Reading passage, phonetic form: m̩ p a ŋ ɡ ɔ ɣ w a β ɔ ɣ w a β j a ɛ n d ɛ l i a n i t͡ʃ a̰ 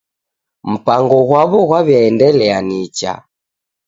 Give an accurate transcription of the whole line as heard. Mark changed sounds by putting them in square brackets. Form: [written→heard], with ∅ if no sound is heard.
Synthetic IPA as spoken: m̩ p a ŋ ɡ ɔ ɣ w a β ɔ ɣ w a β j a ɛ n d ɛ l [i→ɛ] a n i t͡ʃ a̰